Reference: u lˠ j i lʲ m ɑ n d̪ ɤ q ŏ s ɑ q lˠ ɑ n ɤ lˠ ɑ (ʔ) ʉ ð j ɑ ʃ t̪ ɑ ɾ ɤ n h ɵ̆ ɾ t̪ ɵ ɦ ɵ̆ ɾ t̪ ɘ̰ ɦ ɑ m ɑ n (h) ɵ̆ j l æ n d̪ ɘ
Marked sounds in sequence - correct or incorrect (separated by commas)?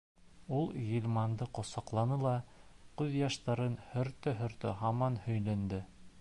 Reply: incorrect, correct